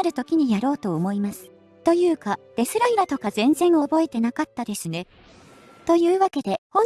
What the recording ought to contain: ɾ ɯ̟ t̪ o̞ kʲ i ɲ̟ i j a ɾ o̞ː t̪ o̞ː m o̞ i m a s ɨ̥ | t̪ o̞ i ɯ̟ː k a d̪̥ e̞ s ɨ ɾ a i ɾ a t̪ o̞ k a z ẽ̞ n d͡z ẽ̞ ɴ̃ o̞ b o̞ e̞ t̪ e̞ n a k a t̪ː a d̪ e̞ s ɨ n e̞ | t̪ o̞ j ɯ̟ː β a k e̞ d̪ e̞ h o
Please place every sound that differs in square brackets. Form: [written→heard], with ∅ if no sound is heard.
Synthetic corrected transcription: ɾ ɯ̟ t̪ o̞ kʲ i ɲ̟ i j a ɾ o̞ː t̪ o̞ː m o̞ i m a s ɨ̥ | t̪ o̞ [i→j] ɯ̟ː k a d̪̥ e̞ s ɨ ɾ a i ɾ a t̪ o̞ k a z ẽ̞ n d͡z ẽ̞ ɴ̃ o̞ b o̞ e̞ t̪ e̞ n a k a t̪ː a d̪ e̞ s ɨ n e̞ | t̪ o̞ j ɯ̟ː β a k e̞ d̪ e̞ h o